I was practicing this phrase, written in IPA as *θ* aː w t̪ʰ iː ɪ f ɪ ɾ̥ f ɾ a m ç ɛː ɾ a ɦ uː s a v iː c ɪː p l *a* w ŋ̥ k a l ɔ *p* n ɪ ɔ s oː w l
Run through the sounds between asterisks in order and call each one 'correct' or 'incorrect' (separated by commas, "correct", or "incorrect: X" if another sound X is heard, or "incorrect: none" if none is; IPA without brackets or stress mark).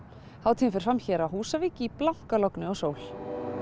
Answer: incorrect: h, correct, incorrect: k